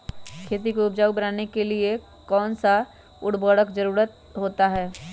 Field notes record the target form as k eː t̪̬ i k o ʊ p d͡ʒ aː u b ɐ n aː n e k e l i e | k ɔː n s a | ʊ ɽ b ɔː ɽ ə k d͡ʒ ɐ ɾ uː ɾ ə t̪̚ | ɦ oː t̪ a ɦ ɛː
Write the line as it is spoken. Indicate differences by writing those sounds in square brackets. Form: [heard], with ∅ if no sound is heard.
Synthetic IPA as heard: [kʰ] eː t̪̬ i k o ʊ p d͡ʒ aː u b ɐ n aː n e k e l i e | k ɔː n s a | ʊ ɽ b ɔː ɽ ə k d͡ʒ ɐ ɾ uː ɾ ə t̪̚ | ɦ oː t̪ a ɦ ɛː